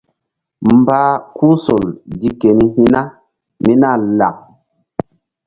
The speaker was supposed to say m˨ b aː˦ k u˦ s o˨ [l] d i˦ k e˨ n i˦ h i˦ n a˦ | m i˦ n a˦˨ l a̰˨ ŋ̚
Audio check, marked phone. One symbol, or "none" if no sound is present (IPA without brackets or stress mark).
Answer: l